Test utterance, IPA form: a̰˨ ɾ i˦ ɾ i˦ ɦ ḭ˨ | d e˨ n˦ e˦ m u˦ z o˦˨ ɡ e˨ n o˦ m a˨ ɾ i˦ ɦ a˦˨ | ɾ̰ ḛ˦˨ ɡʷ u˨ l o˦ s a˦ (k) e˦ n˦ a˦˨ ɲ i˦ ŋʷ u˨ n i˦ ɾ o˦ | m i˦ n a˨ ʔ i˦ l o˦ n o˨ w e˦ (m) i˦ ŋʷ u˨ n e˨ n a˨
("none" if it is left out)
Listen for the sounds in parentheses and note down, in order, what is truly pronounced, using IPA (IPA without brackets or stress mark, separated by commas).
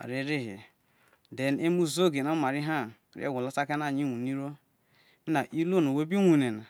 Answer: k, b